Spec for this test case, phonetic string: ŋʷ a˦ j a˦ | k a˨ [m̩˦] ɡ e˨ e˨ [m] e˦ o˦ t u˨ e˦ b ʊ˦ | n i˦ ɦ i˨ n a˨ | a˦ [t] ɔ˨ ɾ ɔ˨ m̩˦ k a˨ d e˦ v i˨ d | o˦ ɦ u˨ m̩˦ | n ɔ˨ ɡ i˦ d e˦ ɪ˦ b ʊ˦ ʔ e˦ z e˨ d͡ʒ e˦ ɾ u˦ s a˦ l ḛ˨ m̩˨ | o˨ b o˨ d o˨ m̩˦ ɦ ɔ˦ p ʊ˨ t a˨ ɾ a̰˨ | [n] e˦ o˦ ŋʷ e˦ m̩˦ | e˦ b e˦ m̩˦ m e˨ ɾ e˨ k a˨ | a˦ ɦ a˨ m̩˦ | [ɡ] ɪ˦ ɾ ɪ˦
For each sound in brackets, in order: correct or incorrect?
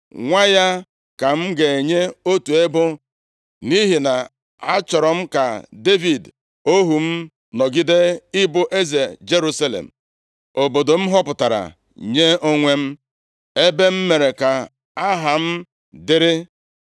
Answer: correct, incorrect: ɲ, incorrect: t͡ʃ, incorrect: ɲ, incorrect: d

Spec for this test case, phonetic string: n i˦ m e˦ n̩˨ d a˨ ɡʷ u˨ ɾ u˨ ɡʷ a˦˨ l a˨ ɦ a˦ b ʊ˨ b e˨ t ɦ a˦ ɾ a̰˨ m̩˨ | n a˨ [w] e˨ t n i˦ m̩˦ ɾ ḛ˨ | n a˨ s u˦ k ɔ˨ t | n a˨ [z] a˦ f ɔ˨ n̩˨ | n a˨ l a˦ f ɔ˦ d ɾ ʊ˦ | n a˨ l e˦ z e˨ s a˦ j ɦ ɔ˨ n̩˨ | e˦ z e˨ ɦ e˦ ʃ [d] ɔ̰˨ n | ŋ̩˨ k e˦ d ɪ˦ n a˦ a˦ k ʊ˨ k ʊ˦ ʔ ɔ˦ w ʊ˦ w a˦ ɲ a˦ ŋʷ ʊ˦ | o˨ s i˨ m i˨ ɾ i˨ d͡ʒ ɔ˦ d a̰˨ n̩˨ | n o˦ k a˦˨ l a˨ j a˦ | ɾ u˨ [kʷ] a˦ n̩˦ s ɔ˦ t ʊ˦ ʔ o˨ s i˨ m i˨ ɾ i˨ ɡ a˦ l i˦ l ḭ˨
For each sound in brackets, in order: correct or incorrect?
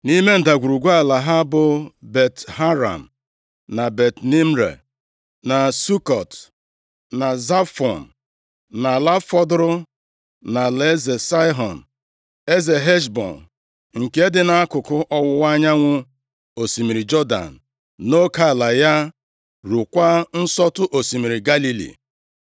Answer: incorrect: b, correct, incorrect: b, correct

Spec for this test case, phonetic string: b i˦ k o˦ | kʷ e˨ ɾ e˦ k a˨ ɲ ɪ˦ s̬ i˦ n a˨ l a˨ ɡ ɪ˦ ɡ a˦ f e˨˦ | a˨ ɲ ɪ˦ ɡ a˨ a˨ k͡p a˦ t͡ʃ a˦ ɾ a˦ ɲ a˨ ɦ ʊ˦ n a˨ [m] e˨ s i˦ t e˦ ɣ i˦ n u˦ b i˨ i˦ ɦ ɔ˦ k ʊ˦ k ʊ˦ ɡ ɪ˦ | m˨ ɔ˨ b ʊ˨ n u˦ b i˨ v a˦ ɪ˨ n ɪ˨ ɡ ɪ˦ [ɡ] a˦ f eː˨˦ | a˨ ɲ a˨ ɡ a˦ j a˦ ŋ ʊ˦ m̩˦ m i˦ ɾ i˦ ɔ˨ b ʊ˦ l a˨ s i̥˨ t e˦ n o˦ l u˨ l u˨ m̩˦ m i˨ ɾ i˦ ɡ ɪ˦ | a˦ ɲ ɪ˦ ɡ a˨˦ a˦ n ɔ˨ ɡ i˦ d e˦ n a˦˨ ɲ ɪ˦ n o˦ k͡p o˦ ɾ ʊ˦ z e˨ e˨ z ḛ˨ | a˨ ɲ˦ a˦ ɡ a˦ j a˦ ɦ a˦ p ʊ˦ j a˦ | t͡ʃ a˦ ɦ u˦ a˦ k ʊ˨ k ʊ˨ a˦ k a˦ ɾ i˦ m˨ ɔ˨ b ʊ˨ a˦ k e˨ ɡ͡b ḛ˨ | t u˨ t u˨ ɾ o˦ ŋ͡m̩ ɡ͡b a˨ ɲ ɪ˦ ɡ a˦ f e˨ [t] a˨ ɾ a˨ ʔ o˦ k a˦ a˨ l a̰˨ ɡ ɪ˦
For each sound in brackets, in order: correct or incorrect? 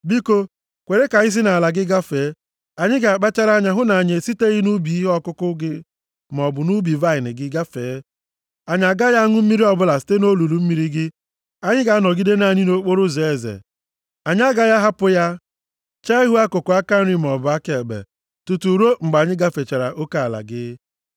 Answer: incorrect: ɲ, correct, incorrect: t͡ʃ

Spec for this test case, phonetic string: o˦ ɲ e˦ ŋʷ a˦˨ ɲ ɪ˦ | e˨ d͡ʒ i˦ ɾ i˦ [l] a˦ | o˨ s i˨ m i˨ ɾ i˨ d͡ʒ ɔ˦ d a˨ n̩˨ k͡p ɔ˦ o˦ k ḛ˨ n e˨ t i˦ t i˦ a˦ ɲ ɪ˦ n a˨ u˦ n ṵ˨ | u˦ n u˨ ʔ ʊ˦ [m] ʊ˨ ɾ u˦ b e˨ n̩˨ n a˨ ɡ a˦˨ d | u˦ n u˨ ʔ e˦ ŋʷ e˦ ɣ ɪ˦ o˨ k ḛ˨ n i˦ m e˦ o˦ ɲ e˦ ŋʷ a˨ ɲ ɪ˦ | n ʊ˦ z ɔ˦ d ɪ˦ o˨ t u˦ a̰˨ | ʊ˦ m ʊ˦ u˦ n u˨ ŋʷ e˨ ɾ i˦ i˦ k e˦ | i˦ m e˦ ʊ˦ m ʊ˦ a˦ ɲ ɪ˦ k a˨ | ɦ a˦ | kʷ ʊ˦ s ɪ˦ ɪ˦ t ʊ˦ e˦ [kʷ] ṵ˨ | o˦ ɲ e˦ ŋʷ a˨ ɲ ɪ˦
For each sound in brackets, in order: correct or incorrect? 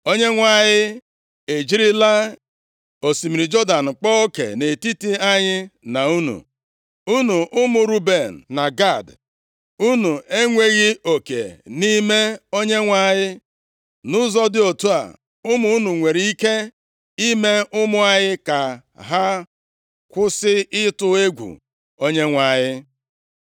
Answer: correct, correct, incorrect: ɡʷ

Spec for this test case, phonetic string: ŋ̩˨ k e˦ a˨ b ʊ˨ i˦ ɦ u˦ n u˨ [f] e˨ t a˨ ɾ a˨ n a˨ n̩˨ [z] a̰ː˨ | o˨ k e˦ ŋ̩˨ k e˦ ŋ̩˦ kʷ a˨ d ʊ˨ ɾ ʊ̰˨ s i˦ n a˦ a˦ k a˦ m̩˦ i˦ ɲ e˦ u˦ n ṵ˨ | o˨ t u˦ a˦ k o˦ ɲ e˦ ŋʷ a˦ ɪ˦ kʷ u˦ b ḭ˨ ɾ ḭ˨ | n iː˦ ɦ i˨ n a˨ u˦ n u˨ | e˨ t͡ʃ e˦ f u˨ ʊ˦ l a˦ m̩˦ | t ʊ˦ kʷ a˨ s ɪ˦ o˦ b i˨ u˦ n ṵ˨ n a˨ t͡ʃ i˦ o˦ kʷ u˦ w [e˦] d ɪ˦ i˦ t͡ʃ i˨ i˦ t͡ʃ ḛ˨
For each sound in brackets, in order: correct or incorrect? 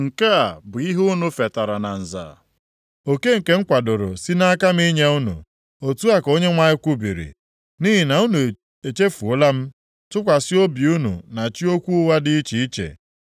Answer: correct, correct, incorrect: a˦

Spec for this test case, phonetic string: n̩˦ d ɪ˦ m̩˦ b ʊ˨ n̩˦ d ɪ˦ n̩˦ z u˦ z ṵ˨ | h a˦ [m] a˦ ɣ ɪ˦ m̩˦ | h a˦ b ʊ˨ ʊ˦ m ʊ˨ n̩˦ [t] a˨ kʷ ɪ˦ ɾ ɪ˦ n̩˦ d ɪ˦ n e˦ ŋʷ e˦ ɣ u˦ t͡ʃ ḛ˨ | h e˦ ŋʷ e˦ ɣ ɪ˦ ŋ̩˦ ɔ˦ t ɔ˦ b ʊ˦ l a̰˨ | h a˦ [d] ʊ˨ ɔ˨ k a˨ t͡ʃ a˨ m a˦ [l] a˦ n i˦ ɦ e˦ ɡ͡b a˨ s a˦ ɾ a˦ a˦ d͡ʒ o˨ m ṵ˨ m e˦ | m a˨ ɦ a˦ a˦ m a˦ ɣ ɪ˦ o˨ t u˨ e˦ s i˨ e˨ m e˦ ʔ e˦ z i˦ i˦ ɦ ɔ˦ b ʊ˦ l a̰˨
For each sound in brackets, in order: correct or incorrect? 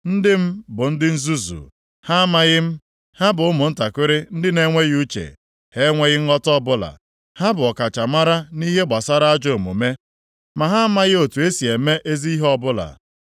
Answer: correct, correct, incorrect: b, incorrect: ɾ

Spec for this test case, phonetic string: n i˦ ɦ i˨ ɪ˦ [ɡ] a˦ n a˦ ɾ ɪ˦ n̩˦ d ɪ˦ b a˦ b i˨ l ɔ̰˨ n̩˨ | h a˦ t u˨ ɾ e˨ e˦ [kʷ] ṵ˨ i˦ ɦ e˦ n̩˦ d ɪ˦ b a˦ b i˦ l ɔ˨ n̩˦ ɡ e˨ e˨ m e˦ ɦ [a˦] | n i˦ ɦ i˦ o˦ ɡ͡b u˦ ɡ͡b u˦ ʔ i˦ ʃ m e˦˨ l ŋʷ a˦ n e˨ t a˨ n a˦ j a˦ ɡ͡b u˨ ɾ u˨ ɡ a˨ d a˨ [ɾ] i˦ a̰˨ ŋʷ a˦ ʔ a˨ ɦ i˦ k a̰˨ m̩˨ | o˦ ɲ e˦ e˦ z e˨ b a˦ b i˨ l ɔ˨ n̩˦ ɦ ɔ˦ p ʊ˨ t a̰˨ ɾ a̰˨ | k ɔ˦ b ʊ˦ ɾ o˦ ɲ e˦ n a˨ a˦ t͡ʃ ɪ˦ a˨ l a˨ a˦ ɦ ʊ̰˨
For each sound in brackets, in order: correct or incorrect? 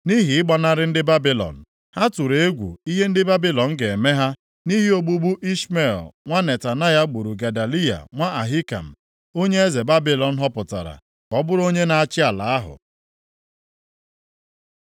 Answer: incorrect: ɡ͡b, incorrect: ɡʷ, correct, incorrect: l

